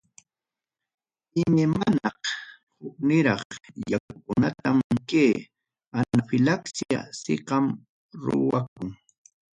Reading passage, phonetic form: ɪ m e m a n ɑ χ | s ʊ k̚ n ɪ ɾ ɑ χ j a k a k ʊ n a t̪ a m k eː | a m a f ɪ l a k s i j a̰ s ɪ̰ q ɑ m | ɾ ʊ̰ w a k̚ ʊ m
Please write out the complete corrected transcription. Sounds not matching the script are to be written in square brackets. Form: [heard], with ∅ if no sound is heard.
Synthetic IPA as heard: ɪ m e m a n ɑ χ | [h] ʊ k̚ n ɪ ɾ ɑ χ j a k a k ʊ n a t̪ a m k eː | a [n] a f ɪ l a k s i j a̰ s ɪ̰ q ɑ m | ɾ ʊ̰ w a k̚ ʊ [ŋ]